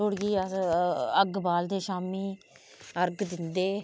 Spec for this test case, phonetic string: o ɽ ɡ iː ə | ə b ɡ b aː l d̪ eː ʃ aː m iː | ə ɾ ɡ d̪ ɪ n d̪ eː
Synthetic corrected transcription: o ɽ ɡ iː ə | ə ɡ b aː l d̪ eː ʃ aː m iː | ə ɾ ɡ d̪ ɪ n d̪ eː